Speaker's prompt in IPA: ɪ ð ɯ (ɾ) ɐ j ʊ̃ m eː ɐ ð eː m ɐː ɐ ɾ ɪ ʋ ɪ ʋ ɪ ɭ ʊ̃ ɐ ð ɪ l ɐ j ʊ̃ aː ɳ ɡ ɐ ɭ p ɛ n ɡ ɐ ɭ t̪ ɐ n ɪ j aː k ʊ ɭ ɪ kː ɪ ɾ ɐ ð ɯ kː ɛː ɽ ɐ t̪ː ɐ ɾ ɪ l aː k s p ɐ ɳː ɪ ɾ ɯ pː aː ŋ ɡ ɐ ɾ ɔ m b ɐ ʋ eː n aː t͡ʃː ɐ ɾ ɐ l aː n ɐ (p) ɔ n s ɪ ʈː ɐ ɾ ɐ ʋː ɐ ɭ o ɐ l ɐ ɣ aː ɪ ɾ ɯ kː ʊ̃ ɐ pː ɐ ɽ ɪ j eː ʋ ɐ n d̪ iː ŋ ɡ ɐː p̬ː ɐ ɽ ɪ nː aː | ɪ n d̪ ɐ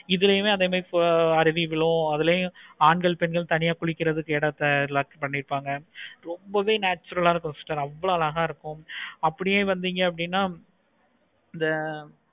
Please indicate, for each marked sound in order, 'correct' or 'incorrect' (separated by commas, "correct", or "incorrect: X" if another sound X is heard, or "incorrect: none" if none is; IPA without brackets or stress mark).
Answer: incorrect: l, incorrect: k